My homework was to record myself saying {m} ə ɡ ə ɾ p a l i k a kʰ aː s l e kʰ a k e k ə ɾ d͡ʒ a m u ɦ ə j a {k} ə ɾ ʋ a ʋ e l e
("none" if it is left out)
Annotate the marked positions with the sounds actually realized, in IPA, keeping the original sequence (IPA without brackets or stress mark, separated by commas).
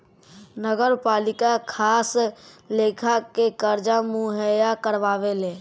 n, k